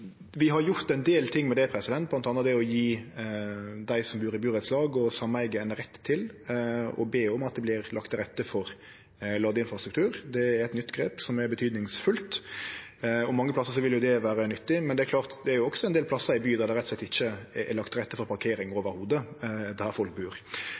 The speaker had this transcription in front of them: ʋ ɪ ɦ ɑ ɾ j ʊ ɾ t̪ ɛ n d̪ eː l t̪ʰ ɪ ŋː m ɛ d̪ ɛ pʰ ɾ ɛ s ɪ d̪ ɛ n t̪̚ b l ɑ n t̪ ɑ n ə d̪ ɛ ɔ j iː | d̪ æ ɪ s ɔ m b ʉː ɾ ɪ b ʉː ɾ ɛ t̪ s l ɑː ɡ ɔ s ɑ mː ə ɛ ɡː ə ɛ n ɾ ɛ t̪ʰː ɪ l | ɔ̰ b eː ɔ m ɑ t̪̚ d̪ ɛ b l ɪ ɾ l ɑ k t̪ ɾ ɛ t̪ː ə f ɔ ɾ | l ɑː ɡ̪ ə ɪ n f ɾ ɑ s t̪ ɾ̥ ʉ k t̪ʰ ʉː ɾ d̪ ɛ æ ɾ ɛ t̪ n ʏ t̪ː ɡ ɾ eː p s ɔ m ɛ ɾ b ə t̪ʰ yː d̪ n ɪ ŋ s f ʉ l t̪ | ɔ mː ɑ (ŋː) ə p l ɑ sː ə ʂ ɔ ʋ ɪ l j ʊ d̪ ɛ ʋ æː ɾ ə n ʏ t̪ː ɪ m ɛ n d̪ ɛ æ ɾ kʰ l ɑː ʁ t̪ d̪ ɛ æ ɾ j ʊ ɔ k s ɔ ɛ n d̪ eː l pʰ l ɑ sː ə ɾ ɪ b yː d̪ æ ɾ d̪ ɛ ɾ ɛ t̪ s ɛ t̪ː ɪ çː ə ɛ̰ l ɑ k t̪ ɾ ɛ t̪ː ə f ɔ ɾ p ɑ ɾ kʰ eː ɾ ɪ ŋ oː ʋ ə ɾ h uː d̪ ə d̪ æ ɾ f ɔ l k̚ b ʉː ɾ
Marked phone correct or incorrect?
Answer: correct